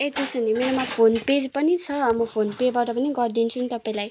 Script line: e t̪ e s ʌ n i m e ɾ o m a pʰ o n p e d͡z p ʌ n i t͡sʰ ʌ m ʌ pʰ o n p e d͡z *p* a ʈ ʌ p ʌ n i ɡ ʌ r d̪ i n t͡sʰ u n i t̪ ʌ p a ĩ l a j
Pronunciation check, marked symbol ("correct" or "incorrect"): incorrect